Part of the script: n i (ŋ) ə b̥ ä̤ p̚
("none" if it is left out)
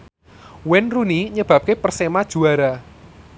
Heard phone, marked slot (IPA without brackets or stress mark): ɲ